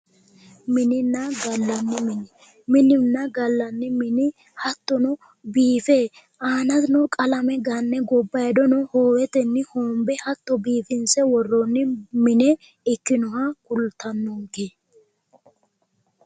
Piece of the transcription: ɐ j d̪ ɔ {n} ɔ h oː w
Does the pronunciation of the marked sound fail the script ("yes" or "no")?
no